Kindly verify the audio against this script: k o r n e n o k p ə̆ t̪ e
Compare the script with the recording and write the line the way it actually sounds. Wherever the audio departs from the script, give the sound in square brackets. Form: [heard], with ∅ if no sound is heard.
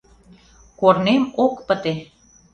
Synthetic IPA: k o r n e [m] o k p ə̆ t̪ e